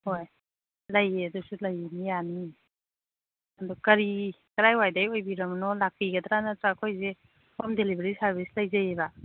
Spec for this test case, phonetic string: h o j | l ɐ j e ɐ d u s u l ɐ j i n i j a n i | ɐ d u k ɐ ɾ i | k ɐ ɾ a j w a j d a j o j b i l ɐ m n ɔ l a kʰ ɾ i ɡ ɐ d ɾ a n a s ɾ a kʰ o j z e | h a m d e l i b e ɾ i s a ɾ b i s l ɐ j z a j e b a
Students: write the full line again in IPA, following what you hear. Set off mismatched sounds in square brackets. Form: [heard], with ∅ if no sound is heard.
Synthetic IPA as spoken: h o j | l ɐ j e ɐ d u s u l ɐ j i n i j a n i | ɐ d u k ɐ ɾ i | k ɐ ɾ a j w a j d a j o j b i [ɾ] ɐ m n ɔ l a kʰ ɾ i ɡ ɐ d ɾ a n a [t] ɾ a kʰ o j z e | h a m d e l i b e ɾ i s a ɾ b i s l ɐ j z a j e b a

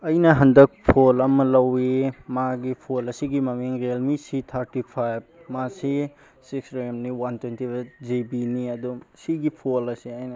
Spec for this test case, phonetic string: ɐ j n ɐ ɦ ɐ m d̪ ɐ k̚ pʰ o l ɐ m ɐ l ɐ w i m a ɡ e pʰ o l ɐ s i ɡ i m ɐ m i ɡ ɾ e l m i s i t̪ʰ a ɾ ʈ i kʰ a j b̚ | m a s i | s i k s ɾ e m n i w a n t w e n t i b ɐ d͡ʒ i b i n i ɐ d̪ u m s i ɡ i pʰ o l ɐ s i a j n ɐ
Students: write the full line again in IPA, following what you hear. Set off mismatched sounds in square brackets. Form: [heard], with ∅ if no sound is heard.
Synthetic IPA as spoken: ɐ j n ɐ ɦ ɐ [n] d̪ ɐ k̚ pʰ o l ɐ m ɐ l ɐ w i m a ɡ [i] pʰ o l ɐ s i ɡ i m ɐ m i [ŋ] ɾ e l m i s i t̪ʰ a ɾ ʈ i [pʰ] a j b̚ | m a s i | s i k s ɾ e m n i w a n t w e n t i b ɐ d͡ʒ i b i n i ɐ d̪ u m s i ɡ i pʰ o l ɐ s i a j n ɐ

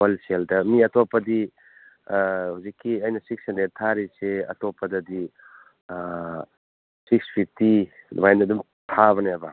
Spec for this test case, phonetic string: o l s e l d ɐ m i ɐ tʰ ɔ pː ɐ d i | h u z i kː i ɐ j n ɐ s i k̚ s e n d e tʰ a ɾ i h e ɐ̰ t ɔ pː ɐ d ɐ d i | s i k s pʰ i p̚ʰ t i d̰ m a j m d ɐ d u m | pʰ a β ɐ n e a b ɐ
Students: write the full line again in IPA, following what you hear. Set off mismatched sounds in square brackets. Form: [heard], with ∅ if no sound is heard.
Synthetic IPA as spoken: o l s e l d ɐ m i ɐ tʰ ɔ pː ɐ d i | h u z i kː i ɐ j n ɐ s i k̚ s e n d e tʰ a ɾ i [s] e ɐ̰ t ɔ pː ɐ d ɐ d i | s i k s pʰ i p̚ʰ t i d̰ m a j [n] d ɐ d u m | [tʰ] a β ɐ n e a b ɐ

